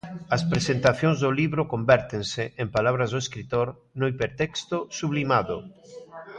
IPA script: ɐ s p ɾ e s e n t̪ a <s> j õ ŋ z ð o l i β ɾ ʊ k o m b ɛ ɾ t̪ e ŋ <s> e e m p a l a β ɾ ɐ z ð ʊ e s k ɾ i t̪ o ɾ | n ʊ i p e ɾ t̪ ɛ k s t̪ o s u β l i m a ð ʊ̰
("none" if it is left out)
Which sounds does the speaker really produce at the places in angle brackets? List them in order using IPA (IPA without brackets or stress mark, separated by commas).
θ, s